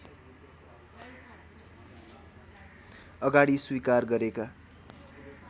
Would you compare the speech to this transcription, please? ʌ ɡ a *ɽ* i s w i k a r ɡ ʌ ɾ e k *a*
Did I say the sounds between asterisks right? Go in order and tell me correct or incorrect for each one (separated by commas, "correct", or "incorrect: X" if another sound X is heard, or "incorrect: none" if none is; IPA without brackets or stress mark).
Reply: correct, correct